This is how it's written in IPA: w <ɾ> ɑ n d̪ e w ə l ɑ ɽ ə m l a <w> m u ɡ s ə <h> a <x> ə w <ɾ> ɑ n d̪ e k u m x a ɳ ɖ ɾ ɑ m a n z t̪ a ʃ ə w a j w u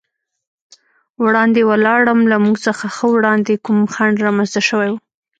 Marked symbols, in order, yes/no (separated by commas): no, no, no, yes, no